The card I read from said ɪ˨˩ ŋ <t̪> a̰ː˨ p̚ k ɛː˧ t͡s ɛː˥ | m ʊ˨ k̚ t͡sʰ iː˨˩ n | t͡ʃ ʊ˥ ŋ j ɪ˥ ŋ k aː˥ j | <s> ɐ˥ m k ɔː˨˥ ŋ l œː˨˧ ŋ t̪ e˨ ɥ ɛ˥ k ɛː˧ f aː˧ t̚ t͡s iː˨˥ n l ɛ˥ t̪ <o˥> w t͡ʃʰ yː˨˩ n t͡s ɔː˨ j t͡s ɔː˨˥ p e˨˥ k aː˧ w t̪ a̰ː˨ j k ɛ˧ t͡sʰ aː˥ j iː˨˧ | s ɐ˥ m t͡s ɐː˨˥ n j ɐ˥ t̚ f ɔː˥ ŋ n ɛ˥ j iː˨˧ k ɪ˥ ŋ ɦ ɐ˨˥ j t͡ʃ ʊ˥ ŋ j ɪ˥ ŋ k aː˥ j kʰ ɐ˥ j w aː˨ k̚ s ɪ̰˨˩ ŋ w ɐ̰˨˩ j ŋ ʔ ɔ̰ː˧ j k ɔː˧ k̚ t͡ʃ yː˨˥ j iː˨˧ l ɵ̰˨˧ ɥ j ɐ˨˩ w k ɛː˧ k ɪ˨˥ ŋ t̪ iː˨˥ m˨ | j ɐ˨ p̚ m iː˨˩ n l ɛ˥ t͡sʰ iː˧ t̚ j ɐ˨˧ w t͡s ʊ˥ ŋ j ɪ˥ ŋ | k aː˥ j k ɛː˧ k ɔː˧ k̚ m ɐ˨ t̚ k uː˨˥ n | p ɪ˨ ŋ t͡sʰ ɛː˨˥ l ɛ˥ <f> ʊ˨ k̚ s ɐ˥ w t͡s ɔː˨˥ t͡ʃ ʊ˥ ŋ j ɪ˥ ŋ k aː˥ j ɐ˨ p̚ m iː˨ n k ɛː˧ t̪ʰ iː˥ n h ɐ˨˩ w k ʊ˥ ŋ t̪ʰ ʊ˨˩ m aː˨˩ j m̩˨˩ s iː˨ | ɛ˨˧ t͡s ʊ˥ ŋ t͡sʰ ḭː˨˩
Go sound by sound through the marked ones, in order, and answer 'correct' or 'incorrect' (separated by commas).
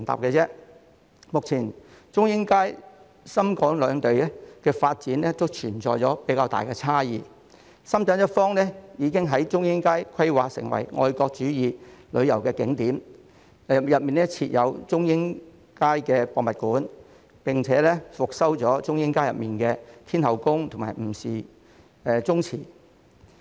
correct, correct, correct, correct